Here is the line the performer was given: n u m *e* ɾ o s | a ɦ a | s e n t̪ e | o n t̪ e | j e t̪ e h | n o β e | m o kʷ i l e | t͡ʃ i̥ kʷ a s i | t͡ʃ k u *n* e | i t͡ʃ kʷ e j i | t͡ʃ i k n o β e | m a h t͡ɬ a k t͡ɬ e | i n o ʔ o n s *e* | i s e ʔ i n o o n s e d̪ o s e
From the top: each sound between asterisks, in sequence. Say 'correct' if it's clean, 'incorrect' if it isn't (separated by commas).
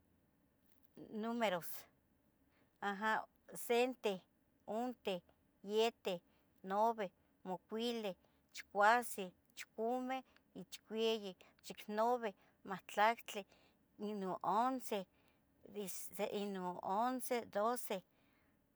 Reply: correct, incorrect, correct